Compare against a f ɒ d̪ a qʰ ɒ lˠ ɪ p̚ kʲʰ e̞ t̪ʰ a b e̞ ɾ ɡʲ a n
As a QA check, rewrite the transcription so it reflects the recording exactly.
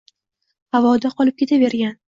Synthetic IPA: a v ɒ d̪ a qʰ ɒ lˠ ɪ p̚ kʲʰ e̞ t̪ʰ a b e̞ ɾ ɡʲ a n